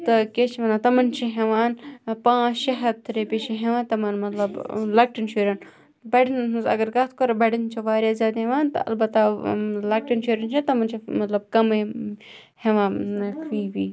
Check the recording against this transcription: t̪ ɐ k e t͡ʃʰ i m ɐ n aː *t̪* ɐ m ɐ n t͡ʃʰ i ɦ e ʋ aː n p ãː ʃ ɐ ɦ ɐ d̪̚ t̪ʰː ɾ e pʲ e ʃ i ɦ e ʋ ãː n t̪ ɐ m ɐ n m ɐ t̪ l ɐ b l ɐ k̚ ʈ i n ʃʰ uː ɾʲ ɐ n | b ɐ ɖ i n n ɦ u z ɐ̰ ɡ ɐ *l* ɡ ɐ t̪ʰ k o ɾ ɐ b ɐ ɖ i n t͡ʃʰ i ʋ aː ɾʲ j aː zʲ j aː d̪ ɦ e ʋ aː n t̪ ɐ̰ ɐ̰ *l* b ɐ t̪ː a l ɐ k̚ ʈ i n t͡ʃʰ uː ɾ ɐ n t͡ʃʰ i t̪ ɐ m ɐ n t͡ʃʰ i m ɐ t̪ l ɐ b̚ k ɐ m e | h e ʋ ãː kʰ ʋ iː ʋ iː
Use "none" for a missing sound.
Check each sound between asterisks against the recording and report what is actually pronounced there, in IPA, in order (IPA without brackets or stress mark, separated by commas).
t̪, ɾ, l